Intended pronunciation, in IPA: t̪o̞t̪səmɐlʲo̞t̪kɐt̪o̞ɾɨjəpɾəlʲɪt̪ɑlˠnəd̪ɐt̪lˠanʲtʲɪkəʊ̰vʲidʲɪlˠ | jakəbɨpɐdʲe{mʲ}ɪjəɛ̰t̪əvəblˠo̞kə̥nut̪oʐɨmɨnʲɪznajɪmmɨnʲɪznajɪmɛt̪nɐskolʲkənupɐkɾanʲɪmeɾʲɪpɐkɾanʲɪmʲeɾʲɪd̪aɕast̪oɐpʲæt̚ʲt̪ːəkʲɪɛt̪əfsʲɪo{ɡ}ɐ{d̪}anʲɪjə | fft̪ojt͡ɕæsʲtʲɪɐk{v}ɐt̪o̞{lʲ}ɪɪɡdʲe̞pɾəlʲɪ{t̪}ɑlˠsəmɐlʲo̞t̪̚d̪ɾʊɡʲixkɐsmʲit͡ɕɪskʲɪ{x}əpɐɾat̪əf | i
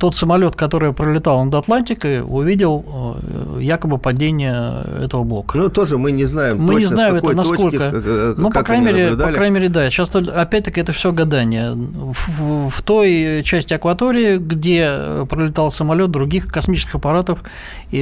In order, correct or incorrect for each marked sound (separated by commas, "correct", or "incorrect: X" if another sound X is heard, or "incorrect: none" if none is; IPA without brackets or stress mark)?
incorrect: nʲ, correct, correct, correct, incorrect: ɾʲ, correct, correct